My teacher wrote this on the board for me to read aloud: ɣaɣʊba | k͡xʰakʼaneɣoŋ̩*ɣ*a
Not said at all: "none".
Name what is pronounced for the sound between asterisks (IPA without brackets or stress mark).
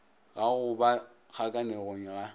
ɣ